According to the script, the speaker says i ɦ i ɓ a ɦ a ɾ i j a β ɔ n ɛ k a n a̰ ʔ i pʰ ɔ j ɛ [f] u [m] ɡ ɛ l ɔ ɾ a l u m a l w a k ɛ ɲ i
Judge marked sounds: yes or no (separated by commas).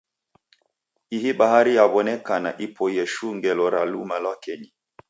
no, no